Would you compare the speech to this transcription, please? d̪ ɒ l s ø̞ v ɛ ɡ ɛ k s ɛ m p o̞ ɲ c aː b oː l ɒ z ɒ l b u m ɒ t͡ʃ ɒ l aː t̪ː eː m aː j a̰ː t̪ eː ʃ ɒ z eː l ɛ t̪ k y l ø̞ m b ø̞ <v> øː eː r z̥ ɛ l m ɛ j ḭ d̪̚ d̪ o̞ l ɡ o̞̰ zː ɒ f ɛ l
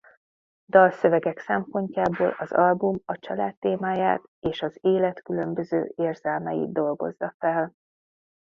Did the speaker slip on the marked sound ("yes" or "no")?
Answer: yes